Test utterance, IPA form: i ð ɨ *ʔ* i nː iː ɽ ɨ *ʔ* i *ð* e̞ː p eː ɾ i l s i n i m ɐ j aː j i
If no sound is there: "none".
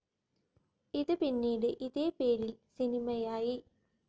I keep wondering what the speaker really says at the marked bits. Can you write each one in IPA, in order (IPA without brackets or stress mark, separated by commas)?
p, ʔ, ð